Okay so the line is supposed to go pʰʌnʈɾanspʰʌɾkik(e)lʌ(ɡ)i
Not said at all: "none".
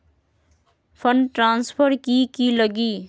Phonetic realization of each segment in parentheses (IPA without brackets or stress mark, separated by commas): i, ɡ